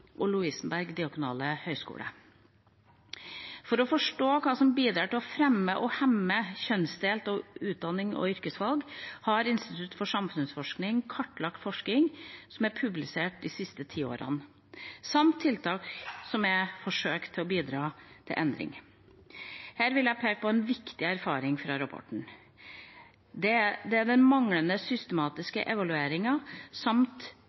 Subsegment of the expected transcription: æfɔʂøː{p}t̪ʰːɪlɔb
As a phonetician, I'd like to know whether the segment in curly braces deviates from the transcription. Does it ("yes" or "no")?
yes